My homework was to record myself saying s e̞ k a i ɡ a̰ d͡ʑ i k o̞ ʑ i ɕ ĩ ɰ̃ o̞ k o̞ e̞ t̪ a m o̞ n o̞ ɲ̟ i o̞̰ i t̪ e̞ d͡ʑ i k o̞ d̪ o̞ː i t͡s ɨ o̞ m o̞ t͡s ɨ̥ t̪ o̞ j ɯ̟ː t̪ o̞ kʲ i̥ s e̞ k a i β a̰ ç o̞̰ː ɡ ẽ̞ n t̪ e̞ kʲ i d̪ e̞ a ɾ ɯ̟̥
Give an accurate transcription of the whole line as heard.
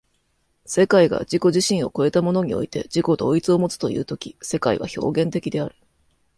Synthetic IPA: s e̞ k a i ɡ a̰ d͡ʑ i k o̞ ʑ i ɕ ĩ ɰ̃ o̞ k o̞ e̞ t̪ a m o̞ n o̞ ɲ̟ i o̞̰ i t̪ e̞ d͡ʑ i k o̞ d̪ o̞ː i t͡s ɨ o̞ m o̞ t͡s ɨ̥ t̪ o̞ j ɯ̟ː t̪ o̞ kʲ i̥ s e̞ k a i β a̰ ç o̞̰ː ɡ ẽ̞ n t̪ e̞ kʲ i d̪ e̞ a ɾ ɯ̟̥